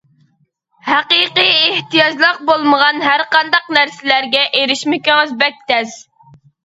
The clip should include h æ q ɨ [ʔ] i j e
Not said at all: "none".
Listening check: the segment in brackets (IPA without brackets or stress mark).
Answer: q